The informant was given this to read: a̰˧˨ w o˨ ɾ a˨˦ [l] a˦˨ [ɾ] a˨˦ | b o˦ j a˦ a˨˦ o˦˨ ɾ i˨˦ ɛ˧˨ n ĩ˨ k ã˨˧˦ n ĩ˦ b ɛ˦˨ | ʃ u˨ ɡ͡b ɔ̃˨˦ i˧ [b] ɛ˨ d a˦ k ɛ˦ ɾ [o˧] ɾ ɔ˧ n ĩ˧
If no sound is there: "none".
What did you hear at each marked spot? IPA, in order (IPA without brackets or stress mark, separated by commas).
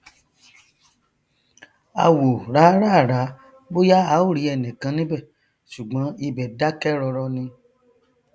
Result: ɾ, ɾ, b, ɔ˧